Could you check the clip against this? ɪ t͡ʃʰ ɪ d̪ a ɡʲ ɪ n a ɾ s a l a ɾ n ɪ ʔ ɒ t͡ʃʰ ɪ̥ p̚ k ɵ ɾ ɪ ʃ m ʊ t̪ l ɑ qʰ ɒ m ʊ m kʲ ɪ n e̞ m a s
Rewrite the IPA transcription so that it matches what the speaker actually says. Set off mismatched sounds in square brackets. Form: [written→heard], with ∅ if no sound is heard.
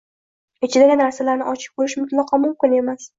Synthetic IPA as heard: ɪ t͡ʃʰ ɪ d̪ a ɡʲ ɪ n a ɾ s a l a ɾ n ɪ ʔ ɒ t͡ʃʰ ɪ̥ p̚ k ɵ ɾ ɪ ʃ m ʊ t̪ l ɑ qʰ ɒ m ʊ m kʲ ɪ n e̞ m a s